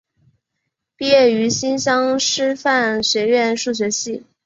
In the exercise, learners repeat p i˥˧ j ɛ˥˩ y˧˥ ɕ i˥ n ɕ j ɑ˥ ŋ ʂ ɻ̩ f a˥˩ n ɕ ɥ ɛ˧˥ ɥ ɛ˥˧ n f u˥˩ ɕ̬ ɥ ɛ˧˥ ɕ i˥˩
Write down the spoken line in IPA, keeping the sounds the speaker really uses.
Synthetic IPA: p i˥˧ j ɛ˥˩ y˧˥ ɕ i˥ n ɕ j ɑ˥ ŋ ʂ ɻ̩ f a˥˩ n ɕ ɥ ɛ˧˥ ɥ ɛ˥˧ n ʂ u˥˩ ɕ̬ ɥ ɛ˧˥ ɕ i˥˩